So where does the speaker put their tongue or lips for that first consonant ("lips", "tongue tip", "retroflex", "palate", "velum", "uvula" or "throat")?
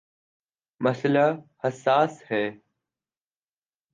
lips